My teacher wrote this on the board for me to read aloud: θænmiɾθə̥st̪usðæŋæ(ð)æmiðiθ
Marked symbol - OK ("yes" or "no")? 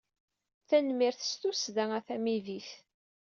no